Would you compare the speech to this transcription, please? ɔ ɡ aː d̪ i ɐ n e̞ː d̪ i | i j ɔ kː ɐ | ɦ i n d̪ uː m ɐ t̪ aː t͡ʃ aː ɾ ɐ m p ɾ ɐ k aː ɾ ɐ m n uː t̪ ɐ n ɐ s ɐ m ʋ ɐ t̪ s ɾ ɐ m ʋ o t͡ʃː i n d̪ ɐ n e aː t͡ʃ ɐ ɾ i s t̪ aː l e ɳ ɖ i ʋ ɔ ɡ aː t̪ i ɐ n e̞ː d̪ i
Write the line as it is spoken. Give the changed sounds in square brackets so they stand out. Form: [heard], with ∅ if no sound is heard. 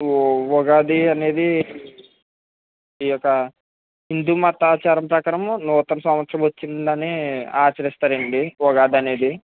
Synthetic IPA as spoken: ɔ ɡ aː d̪ i ɐ n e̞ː d̪ i | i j ɔ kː ɐ | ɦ i n d̪ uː m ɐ t̪ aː t͡ʃ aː ɾ ɐ m p ɾ ɐ k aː ɾ ɐ m n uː t̪ ɐ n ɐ s ɐ m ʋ ɐ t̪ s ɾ ɐ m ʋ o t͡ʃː i n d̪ ɐ n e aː t͡ʃ ɐ ɾ i s t̪ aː [ɾ] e ɳ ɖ i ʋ ɔ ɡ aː [d̪] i ɐ n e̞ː d̪ i